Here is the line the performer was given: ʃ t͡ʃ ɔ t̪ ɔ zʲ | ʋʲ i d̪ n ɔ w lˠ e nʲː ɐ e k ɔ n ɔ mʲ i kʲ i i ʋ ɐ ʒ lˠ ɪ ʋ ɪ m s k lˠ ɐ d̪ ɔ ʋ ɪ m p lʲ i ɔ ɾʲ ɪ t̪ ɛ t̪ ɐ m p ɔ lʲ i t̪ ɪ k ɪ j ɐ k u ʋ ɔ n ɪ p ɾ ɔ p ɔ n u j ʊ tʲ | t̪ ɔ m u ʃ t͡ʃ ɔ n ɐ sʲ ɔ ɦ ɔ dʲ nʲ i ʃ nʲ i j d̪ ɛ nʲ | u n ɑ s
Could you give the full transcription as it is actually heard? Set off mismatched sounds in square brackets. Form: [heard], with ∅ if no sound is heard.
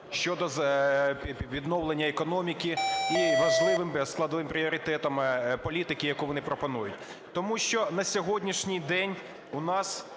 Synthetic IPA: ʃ t͡ʃ ɔ [d̪] ɔ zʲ | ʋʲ i d̪ n ɔ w lˠ e nʲː ɐ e k ɔ n ɔ mʲ i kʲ i i ʋ ɐ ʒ lˠ ɪ ʋ ɪ m s k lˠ ɐ d̪ ɔ ʋ ɪ m p [ɾʲ] i ɔ ɾʲ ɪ t̪ ɛ t̪ ɐ m p ɔ lʲ i t̪ ɪ k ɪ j ɐ k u ʋ ɔ n ɪ p ɾ ɔ p ɔ n u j ʊ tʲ | t̪ ɔ m u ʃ t͡ʃ ɔ n ɐ sʲ ɔ ɦ ɔ dʲ nʲ i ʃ nʲ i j d̪ ɛ nʲ | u n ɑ s